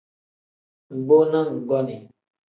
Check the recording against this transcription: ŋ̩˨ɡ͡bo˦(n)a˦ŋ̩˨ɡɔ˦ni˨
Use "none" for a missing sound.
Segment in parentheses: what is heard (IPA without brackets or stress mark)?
n